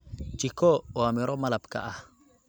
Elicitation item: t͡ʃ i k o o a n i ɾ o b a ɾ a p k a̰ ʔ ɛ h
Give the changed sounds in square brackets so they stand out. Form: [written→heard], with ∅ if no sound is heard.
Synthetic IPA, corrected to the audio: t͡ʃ i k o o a [n→m] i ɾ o [b→m] a [ɾ→l] a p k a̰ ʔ [ɛ→a] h